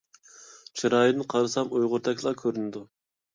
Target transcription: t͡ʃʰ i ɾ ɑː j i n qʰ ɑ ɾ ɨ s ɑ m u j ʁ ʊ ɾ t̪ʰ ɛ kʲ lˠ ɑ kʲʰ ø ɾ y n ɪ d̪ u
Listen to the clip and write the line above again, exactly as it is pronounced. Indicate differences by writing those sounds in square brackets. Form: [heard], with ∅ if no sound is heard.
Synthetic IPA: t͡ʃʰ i ɾ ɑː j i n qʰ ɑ ɾ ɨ s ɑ m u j ʁ ʊ ɾ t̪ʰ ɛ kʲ lˠ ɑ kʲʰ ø ɾ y n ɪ d̪ u